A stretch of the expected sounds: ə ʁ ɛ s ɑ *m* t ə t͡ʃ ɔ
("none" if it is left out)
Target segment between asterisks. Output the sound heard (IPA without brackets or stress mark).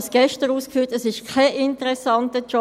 n